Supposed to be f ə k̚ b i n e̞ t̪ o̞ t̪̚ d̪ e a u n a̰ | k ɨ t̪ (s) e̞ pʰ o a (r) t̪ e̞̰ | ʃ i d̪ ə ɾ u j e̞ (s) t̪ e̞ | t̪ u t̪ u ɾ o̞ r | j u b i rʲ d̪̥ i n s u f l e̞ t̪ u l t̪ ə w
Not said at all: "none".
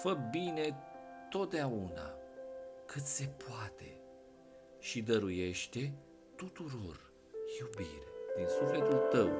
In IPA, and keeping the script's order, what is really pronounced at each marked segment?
s, none, ʃ

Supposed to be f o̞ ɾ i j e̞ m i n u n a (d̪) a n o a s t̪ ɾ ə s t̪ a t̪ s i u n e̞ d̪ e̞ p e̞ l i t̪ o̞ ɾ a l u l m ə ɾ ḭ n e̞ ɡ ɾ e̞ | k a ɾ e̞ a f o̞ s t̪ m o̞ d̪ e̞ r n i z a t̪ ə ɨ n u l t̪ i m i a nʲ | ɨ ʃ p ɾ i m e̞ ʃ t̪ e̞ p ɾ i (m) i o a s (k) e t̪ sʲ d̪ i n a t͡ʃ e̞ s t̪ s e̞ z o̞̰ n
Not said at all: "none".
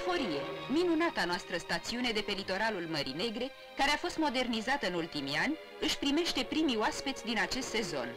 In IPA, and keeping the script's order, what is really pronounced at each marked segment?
t̪, m, p

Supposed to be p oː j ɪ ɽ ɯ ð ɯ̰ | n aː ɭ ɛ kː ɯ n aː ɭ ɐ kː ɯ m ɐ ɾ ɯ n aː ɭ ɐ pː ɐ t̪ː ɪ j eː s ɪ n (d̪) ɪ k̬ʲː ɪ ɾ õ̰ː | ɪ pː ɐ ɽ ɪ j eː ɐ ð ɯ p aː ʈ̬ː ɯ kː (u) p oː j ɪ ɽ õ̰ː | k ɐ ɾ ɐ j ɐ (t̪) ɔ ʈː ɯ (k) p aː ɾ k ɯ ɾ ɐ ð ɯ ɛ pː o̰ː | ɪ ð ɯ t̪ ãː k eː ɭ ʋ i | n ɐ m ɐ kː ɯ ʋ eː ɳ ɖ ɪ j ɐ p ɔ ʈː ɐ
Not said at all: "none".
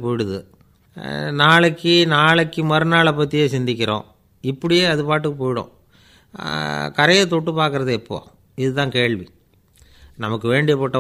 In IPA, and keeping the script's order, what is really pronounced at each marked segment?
d̪, ɯ, t̪, none

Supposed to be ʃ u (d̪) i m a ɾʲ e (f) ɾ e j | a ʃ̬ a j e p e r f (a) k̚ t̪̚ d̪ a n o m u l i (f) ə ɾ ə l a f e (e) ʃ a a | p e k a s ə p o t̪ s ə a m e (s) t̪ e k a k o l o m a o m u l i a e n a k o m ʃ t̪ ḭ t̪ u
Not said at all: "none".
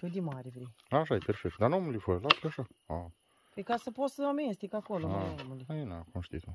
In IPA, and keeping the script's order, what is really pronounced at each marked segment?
d̪, v, e, f, a, s

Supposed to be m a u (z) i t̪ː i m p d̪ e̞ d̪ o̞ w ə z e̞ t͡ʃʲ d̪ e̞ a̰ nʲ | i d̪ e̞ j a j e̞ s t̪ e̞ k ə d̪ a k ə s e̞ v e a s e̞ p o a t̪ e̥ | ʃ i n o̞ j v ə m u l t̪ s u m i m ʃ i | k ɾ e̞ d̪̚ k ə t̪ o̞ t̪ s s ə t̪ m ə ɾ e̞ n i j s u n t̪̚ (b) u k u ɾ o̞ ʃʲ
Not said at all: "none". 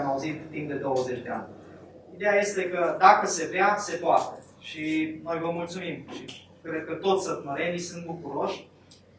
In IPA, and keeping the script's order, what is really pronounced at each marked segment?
z, b

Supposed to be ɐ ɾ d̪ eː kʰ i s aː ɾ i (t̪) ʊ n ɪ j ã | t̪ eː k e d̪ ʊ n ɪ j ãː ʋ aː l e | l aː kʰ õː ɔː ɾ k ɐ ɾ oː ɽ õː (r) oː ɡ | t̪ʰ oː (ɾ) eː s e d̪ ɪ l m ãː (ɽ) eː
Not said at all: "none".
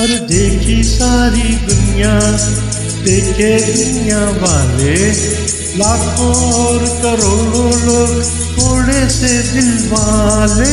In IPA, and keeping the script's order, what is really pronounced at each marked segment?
d̪, l, ɽ, l

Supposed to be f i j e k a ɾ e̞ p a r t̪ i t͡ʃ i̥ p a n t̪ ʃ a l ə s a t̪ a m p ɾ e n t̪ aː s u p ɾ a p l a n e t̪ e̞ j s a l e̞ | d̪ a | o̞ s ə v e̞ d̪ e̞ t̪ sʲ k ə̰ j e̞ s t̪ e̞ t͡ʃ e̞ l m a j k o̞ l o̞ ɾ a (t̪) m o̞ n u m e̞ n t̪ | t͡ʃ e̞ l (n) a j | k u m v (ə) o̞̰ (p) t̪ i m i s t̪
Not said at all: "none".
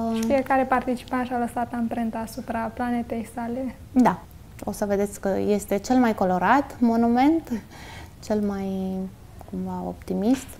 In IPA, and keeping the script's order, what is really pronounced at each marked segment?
t̪, m, a, p

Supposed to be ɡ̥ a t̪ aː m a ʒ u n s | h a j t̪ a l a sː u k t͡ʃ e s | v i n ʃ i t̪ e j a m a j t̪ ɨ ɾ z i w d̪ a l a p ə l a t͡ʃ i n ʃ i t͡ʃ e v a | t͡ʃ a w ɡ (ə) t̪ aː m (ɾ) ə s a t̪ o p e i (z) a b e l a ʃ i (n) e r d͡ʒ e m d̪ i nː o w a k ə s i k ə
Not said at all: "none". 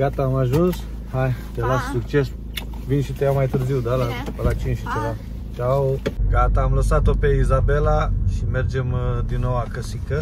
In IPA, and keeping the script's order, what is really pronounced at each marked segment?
a, l, z, m

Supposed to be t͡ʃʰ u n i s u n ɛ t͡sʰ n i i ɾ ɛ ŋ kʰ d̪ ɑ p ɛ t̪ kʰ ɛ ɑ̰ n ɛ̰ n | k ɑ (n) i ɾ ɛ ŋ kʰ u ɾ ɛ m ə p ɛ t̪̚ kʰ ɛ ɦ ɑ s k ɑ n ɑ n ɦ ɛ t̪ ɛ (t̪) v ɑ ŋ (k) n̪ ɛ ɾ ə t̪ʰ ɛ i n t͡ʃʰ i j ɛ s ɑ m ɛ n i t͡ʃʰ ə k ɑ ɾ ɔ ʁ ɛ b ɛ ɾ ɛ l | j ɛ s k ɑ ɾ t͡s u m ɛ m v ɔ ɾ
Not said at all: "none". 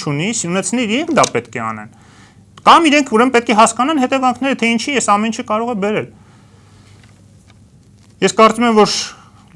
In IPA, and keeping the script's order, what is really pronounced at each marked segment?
m, none, kʰ

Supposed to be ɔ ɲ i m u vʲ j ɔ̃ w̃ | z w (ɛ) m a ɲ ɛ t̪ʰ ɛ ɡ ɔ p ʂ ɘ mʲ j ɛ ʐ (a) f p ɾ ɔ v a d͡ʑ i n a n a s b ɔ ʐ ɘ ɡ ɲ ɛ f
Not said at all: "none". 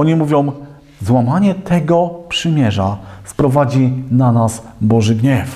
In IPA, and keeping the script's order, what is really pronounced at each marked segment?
a, a

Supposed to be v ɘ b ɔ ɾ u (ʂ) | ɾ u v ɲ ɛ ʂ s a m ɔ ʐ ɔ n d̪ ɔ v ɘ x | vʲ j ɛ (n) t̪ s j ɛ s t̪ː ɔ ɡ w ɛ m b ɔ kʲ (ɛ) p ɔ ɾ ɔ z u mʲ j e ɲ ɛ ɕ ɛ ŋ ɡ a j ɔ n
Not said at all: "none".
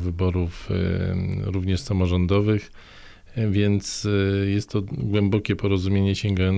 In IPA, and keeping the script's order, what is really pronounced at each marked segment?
f, n, ɛ

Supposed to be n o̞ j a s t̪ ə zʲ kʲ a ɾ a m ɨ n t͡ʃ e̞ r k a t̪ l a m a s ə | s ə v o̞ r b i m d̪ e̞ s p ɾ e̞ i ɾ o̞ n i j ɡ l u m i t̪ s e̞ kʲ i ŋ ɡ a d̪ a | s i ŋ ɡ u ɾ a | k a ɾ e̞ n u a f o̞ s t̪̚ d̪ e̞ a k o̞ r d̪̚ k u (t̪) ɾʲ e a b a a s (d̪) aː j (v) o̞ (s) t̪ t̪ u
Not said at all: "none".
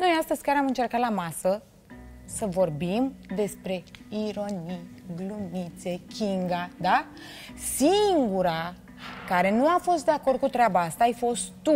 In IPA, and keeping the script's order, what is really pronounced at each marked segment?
t̪, t̪, f, s

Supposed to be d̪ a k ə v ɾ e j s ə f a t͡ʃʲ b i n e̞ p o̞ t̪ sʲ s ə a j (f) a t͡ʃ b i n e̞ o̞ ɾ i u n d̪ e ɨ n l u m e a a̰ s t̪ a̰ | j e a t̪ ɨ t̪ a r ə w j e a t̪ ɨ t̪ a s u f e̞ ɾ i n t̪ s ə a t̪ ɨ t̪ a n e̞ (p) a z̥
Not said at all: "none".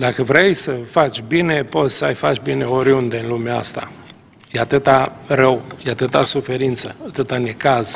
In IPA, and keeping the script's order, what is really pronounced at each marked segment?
f, k

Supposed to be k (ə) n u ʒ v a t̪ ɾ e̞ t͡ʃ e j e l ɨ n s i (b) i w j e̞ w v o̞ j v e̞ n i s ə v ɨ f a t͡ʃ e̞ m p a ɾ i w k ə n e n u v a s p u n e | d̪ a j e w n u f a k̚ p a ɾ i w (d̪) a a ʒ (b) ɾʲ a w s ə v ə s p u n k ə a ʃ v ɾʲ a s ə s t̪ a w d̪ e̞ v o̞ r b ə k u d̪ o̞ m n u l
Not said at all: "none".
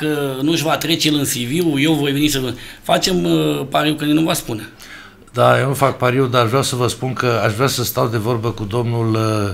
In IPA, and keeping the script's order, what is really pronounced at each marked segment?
ə, v, d̪, v

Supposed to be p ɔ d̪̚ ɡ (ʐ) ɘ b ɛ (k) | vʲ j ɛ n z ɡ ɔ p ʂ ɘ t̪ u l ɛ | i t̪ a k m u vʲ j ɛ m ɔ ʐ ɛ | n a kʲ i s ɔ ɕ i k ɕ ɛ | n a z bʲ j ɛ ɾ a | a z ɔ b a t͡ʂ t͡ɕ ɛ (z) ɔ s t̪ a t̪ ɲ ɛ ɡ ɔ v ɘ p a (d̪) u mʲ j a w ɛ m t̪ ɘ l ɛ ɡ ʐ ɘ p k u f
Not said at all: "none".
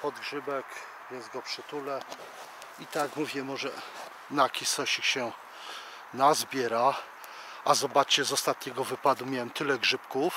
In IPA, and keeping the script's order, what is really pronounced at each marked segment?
ʐ, k, z, d̪

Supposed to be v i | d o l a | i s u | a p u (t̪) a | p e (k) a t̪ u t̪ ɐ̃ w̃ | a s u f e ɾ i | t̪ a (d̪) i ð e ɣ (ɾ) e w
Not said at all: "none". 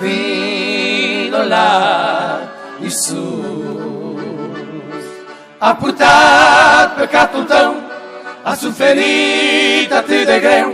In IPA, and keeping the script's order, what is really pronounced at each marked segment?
t̪, k, t̪, ɾ

